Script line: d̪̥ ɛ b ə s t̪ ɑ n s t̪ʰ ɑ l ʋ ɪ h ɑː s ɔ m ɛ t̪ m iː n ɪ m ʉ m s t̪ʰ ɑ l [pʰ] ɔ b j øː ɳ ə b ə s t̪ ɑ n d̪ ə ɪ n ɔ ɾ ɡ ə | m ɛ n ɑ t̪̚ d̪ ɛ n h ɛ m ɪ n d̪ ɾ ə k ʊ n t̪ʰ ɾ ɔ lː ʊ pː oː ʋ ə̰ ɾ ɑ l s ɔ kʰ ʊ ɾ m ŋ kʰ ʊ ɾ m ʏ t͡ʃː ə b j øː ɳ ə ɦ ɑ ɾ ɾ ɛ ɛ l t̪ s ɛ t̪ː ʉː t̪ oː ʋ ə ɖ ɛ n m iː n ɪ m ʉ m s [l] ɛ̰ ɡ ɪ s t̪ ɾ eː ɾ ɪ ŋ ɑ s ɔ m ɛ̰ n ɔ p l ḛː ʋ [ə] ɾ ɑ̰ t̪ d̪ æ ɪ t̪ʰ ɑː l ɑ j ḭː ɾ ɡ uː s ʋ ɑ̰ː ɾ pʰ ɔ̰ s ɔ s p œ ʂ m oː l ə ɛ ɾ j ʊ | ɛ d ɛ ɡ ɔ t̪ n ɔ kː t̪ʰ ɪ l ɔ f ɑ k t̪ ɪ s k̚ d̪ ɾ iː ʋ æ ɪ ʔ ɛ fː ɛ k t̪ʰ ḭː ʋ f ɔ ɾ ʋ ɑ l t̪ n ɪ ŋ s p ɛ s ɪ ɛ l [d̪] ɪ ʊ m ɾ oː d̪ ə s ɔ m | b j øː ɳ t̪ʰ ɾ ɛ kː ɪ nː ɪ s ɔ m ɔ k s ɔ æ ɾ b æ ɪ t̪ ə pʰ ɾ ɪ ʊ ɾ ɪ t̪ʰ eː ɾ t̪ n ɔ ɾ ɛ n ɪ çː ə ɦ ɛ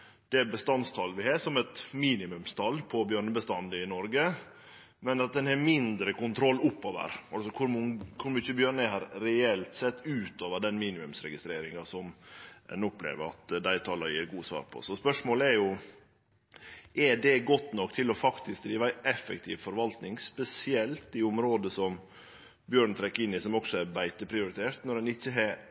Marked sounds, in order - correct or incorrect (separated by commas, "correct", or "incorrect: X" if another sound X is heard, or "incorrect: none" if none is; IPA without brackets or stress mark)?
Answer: correct, incorrect: ɾ, correct, incorrect: t̪